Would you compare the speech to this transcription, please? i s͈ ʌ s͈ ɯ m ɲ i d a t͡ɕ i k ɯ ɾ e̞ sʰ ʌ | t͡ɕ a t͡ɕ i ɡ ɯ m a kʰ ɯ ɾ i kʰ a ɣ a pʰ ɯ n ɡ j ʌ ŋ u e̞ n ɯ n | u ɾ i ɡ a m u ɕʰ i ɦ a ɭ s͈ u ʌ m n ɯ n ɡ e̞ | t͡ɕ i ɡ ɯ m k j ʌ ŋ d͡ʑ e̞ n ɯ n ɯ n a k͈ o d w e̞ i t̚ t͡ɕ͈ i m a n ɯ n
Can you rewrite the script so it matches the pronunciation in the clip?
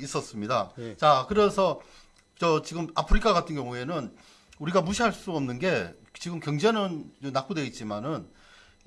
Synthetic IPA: i s͈ ʌ s͈ ɯ m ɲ i d a t͡ɕ a k ɯ ɾ e̞ sʰ ʌ | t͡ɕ ʌ t͡ɕ i ɡ ɯ m a pʰ ɯ ɾ i kʰ a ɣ a tʰ ɯ n ɡ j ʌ ŋ u e̞ n ɯ n | u ɾ i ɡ a m u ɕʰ i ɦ a ɭ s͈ u ʌ m n ɯ n ɡ e̞ | t͡ɕ i ɡ ɯ m k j ʌ ŋ d͡ʑ e̞ n ɯ n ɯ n a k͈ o d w e̞ i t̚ t͡ɕ͈ i m a n ɯ n